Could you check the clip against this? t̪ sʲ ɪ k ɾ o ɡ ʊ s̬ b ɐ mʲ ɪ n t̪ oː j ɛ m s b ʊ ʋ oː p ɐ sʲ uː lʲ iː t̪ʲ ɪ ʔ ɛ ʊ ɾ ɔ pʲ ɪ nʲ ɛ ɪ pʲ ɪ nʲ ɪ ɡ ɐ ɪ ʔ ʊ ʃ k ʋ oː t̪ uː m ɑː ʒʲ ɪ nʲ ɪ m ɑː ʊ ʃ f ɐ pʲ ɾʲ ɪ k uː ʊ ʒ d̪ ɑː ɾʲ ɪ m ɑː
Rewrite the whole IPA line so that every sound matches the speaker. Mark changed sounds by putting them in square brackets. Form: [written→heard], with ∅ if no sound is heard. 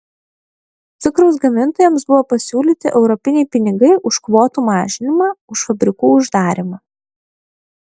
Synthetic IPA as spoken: t̪ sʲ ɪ k ɾ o [ɡ→∅] ʊ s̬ [b→ɡ] ɐ mʲ ɪ n t̪ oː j ɛ m s b ʊ ʋ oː p ɐ sʲ uː lʲ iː t̪ʲ ɪ ʔ ɛ ʊ ɾ ɔ pʲ ɪ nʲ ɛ ɪ pʲ ɪ nʲ ɪ ɡ ɐ ɪ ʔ ʊ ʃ k ʋ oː t̪ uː m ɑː ʒʲ ɪ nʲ ɪ m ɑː ʊ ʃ f ɐ [pʲ→bʲ] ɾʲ ɪ k uː ʊ ʒ d̪ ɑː ɾʲ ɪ m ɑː